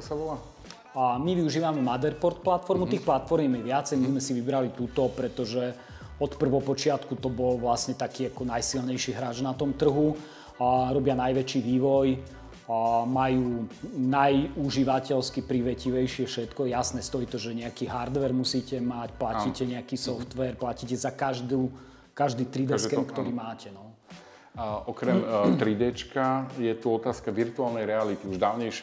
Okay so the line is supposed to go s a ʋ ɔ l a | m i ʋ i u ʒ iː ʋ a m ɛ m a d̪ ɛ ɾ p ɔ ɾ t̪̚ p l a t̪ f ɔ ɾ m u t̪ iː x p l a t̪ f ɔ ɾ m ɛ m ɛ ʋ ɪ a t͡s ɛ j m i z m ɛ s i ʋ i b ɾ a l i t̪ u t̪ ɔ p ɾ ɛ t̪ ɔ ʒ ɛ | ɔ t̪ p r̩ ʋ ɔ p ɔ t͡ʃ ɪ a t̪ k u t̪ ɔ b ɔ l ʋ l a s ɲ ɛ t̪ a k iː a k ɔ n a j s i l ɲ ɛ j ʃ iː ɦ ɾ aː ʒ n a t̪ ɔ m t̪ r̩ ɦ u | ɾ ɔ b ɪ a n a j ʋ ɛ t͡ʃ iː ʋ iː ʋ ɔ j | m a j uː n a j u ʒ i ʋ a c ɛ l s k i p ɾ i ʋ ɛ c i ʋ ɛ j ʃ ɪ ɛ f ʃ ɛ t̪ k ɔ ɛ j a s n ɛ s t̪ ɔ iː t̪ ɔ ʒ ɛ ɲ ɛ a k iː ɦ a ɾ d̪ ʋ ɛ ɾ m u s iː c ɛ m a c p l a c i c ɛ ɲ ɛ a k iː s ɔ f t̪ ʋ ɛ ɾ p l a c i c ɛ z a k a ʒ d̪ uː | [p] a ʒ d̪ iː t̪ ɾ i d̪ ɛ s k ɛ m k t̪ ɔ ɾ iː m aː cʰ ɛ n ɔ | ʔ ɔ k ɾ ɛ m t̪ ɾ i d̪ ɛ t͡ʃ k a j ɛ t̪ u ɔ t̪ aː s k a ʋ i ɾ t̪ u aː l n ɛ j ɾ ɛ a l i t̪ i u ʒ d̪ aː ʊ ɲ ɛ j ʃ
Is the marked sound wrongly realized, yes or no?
yes